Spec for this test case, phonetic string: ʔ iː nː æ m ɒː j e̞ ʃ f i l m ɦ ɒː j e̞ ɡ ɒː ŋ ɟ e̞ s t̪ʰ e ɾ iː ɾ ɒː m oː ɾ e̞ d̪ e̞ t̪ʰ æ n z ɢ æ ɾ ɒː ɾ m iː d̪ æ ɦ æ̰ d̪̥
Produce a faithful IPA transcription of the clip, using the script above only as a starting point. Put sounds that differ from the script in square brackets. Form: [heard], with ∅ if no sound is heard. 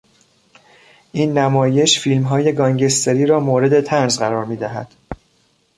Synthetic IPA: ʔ iː nː æ m ɒː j e̞ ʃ f i l m ɦ ɒː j e̞ ɡ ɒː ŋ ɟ e̞ s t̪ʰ e ɾ iː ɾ ɒː m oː ɾ e̞ d̪ e̞ t̪ʰ æ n z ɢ æ ɾ ɒː ɾ m iː d̪ æ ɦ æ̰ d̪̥